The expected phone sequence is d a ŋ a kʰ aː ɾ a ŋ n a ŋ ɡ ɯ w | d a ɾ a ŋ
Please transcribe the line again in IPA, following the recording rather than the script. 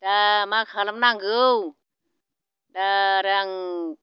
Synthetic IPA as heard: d a m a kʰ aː l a m n a ŋ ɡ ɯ w | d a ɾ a ŋ